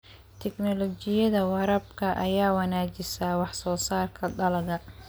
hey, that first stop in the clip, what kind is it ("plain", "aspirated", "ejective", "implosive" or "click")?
aspirated